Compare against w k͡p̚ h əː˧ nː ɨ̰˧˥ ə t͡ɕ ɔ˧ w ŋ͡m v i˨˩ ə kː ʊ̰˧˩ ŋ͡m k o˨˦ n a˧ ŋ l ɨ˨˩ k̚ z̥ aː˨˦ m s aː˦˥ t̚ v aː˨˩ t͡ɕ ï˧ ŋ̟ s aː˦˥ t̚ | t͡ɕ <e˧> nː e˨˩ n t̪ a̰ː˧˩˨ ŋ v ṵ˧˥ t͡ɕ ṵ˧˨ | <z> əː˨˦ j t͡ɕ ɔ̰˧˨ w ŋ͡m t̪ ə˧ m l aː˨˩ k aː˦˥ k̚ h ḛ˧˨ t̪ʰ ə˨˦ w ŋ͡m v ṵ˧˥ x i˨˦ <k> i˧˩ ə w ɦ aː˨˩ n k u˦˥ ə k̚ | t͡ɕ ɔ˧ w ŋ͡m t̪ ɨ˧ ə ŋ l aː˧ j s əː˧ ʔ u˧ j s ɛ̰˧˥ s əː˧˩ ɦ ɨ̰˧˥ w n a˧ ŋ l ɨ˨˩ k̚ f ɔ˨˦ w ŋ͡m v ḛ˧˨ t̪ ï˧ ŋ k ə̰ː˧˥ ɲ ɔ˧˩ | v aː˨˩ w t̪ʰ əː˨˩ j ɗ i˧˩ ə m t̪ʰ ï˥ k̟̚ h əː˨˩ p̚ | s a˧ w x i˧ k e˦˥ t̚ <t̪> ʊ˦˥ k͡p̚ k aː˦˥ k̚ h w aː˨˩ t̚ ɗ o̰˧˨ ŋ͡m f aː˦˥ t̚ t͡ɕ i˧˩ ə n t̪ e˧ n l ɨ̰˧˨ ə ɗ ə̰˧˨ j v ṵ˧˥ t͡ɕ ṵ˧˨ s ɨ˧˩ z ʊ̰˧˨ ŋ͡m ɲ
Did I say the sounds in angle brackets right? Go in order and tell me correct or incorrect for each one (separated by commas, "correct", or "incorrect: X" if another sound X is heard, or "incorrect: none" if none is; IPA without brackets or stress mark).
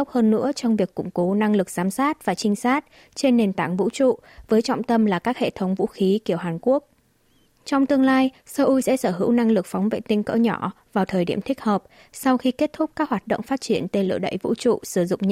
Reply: correct, incorrect: v, correct, incorrect: t̪ʰ